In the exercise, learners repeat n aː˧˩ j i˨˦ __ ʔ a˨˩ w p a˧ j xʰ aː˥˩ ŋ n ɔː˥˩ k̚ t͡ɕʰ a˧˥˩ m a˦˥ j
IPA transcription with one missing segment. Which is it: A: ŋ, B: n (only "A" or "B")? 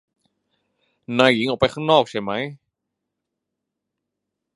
A